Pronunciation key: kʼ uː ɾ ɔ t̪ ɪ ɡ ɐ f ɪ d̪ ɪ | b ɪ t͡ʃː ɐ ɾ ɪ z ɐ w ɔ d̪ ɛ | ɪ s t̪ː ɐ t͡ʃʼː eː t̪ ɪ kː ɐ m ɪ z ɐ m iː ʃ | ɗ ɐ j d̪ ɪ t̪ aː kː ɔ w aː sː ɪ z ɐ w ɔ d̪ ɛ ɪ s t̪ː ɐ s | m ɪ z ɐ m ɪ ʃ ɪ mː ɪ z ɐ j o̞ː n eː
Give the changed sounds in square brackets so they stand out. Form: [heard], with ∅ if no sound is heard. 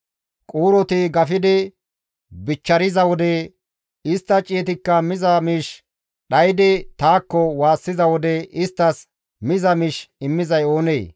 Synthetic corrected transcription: kʼ uː ɾ ɔ t̪ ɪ ɡ ɐ f ɪ d̪ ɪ | b ɪ t͡ʃː ɐ ɾ ɪ z ɐ w ɔ d̪ ɛ | ɪ s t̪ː ɐ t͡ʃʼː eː t̪ ɪ kː ɐ m ɪ z ɐ m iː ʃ | ɗ ɐ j d̪ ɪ t̪ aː kː ɔ w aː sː ɪ z ɐ w ɔ d̪ ɛ ɪ s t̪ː ɐ s | m ɪ z ɐ m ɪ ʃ ɪ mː ɪ z ɐ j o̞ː n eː